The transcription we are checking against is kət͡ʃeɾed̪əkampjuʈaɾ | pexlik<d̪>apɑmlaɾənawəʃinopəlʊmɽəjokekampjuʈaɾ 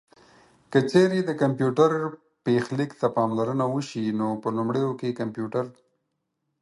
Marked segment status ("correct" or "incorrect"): incorrect